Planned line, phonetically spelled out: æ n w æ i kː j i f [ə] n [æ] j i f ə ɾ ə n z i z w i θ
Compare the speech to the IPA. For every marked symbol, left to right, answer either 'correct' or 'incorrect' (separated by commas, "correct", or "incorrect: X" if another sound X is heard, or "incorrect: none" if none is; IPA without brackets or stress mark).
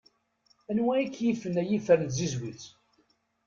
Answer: correct, correct